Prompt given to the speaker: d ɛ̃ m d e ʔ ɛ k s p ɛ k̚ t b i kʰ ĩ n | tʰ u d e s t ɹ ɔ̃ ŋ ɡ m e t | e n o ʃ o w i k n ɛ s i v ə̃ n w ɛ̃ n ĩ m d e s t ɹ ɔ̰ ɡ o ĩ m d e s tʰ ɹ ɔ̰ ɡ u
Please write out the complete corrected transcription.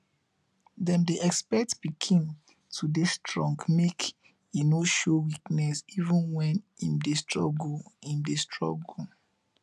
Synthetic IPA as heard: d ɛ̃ m d e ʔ ɛ k s p ɛ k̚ t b i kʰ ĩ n | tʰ u d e s t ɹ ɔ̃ ŋ ɡ m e k | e n o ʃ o w i k n ɛ s i v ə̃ n w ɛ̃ n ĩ m d e s t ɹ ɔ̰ ɡ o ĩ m d e s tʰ ɹ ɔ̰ ɡ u